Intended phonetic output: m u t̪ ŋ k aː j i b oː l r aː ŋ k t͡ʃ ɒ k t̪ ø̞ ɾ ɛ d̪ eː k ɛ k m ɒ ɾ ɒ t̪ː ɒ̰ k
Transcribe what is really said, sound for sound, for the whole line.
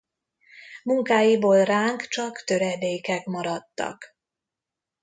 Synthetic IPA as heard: m u ŋ k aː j i b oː l r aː ŋ k t͡ʃ ɒ k t̪ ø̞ ɾ ɛ d̪ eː k ɛ k m ɒ ɾ ɒ t̪ː ɒ̰ k